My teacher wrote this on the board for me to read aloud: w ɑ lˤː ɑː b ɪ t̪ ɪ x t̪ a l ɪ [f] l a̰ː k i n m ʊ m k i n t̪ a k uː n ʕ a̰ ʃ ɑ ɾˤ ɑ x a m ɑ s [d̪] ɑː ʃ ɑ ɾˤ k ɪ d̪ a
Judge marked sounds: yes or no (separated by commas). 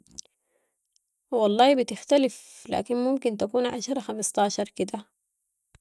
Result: yes, no